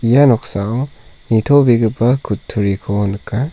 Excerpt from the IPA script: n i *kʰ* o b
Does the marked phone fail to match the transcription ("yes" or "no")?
yes